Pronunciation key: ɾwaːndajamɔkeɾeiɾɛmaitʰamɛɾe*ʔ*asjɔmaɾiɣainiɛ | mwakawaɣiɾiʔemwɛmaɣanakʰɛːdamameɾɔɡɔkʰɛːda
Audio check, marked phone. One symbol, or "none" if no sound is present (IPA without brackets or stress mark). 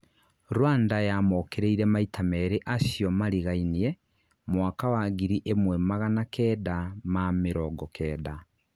ʔ